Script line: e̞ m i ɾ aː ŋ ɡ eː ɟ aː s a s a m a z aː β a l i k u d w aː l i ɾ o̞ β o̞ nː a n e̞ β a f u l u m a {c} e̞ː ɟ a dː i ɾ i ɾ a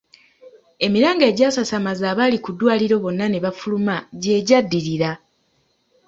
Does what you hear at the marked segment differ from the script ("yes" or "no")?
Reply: yes